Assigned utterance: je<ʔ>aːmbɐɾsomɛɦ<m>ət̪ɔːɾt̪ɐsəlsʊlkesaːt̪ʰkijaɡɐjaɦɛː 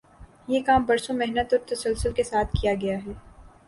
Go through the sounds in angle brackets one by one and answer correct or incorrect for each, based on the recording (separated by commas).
incorrect, incorrect